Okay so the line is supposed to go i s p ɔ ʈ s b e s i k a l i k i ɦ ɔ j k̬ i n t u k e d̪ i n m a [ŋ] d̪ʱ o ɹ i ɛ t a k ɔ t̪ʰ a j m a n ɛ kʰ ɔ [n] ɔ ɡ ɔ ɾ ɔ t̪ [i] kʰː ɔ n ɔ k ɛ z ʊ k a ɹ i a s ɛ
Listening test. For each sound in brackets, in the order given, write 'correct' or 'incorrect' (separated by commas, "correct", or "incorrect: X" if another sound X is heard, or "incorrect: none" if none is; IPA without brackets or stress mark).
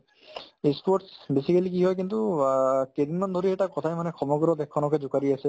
incorrect: n, incorrect: m, incorrect: ɛ